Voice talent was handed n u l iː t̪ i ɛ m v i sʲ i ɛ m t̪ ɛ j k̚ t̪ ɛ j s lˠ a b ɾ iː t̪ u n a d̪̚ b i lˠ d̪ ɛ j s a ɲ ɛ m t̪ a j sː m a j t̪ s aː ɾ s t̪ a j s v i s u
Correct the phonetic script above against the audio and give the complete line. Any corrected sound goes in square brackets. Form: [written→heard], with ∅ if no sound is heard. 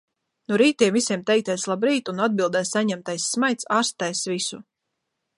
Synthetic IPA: n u [l→ɾ] iː t̪ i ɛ m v i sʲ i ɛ m t̪ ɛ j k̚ t̪ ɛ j s lˠ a b ɾ iː t̪ u n a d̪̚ b i lˠ d̪ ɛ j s a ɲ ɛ m t̪ a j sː m a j t̪ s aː ɾ s t̪ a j s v i s u